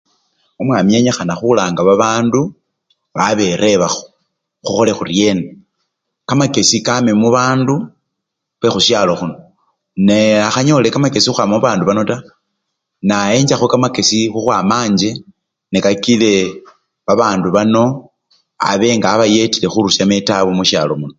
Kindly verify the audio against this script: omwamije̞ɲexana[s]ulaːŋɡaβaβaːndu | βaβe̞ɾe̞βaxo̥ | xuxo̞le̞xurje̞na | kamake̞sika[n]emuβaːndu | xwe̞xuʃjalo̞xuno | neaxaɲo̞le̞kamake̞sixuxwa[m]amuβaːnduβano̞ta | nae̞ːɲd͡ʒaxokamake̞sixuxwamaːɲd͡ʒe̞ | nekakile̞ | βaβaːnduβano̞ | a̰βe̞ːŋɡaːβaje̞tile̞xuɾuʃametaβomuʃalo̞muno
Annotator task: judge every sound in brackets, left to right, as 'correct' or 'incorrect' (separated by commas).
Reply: incorrect, incorrect, correct